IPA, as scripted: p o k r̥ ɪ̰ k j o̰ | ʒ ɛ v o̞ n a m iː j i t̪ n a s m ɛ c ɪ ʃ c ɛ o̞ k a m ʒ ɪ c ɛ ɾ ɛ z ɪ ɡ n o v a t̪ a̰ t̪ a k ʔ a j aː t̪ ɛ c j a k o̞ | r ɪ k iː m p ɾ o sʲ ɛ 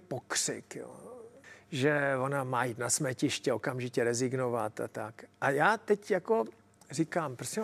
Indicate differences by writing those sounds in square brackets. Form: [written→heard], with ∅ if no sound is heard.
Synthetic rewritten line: p o k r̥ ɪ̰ k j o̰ | ʒ ɛ v o̞ n a m [iː→aː] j i t̪ n a s m ɛ c ɪ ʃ c ɛ o̞ k a m ʒ ɪ c ɛ ɾ ɛ z ɪ ɡ n o v a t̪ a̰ t̪ a k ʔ a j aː t̪ ɛ c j a k o̞ | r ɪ k [iː→aː] m p ɾ o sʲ ɛ